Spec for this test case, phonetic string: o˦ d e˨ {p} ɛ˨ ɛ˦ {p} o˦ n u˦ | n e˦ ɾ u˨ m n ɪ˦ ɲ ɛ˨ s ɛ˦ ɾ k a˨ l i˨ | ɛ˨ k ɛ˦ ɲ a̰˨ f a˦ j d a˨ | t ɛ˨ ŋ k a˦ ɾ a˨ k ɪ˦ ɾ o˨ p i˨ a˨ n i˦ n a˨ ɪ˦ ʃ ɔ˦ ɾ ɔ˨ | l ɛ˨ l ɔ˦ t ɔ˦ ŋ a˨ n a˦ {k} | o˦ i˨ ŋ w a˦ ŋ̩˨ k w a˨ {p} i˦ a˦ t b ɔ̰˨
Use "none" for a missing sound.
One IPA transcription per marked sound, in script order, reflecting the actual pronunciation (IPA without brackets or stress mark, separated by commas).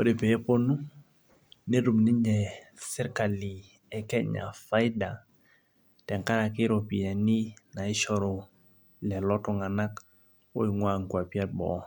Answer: p, p, k, p